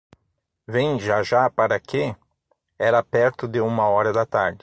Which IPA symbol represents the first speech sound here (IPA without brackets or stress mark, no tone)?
v